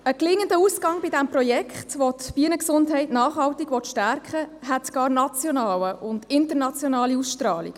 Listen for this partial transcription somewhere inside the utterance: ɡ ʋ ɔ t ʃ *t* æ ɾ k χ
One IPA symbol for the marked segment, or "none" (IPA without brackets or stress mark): t